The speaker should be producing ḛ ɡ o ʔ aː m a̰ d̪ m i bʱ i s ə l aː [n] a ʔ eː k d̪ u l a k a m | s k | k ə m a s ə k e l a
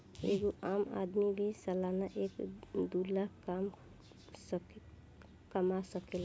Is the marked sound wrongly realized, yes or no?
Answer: no